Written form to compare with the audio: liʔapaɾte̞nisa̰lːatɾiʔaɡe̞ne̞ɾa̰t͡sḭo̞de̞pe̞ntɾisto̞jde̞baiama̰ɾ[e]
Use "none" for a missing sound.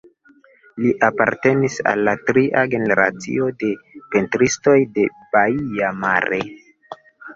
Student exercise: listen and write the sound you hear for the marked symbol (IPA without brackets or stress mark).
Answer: e